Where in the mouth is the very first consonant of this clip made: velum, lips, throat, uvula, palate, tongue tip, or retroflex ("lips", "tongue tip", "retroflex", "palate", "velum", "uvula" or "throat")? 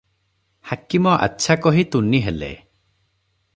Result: throat